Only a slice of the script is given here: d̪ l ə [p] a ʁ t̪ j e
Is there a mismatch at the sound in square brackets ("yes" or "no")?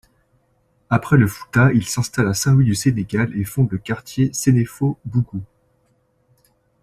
yes